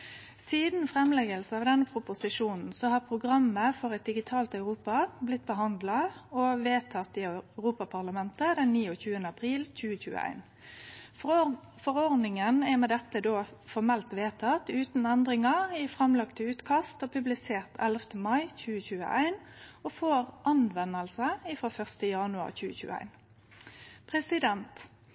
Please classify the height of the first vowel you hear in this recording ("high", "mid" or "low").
high